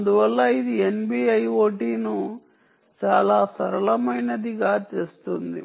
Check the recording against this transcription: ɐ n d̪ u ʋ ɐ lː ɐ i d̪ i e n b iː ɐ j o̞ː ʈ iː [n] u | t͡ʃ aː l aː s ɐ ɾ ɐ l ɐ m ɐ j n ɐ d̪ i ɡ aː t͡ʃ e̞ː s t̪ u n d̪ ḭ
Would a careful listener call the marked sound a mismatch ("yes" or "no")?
no